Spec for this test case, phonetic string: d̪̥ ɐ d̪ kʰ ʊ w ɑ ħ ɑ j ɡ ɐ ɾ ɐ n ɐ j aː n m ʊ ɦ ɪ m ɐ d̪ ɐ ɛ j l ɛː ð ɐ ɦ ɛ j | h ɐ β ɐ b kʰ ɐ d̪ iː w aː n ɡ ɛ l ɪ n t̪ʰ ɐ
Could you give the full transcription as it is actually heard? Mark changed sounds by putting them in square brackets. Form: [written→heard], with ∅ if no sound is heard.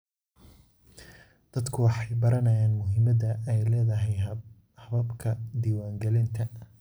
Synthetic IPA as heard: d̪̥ ɐ d̪ kʰ ʊ w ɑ ħ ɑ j [ɡ→b] ɐ ɾ ɐ n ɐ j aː n m ʊ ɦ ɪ m ɐ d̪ ɐ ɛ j l ɛː ð ɐ ɦ ɛ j | h ɐ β ɐ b kʰ ɐ d̪ iː w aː [n→ŋ] ɡ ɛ l ɪ n t̪ʰ ɐ